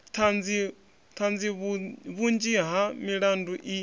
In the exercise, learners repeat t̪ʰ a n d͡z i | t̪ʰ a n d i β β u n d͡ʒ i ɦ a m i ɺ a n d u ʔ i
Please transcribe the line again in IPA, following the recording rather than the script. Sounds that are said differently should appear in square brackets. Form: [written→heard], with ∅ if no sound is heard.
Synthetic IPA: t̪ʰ a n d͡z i | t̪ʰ a n [d→d͡z] i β β u n d͡ʒ i ɦ a m i ɺ a n d u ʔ i